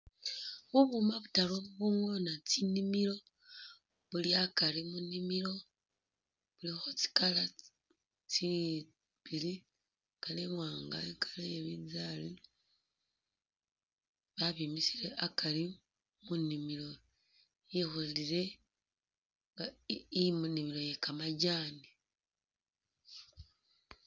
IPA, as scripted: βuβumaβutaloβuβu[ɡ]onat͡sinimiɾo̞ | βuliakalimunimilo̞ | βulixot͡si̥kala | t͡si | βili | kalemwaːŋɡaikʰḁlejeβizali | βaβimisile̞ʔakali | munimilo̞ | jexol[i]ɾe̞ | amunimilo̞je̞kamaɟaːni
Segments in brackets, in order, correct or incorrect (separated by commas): incorrect, correct